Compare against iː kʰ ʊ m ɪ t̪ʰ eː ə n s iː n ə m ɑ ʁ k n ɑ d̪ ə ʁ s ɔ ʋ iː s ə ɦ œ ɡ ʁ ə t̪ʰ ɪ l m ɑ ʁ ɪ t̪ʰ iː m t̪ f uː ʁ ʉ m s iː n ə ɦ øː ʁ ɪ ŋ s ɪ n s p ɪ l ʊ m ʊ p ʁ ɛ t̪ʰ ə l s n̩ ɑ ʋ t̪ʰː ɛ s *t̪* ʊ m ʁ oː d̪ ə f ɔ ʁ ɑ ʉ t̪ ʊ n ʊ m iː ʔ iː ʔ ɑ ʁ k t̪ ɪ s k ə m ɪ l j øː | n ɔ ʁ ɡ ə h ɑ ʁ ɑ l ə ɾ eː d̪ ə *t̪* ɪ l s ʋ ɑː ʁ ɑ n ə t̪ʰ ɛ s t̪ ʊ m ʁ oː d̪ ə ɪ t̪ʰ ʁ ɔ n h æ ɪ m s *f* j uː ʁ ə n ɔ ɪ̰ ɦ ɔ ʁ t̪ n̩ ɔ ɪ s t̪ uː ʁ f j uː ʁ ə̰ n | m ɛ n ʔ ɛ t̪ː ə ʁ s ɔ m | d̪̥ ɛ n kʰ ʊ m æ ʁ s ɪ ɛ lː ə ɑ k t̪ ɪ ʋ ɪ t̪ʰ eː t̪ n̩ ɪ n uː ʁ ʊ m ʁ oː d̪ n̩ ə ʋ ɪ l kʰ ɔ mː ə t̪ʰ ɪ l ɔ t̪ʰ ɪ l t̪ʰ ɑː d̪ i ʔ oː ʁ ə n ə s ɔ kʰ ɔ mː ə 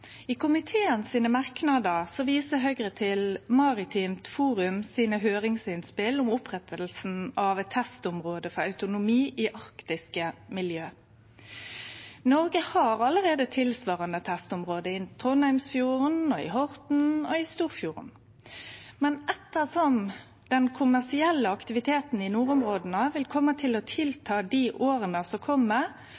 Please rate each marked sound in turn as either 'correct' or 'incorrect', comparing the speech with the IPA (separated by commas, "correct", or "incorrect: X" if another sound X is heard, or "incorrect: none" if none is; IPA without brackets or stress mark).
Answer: correct, incorrect: t̪ʰ, correct